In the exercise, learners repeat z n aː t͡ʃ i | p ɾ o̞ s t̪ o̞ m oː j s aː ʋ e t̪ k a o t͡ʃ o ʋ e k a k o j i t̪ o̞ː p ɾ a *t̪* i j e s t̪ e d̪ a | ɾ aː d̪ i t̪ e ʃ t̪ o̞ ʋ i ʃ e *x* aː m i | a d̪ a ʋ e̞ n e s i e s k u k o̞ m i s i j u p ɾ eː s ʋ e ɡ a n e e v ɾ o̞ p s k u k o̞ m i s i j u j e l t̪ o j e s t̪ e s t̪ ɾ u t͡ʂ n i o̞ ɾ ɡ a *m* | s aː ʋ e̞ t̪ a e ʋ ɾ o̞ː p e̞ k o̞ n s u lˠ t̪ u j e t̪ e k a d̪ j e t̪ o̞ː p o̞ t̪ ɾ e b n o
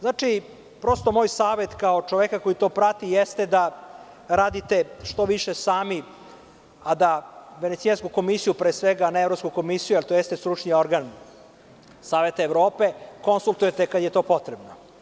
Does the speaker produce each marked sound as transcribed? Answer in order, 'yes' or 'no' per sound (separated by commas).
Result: yes, no, no